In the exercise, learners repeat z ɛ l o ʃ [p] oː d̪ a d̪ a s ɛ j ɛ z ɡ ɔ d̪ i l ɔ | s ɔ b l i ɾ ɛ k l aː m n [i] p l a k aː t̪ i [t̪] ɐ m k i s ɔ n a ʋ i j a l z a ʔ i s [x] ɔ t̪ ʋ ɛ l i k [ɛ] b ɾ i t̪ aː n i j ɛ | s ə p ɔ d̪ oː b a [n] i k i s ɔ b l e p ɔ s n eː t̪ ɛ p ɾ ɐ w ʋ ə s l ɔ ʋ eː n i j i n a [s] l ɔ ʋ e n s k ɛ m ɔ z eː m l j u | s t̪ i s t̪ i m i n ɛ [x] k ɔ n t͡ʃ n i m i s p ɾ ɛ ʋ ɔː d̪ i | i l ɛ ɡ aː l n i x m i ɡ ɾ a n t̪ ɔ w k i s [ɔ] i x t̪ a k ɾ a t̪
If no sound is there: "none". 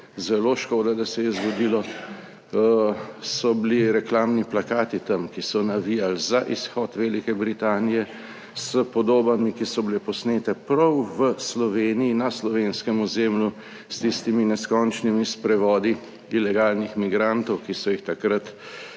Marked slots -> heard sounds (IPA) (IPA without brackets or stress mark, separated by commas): k, i, t̪, x, ɛ, m, s, s, ɔ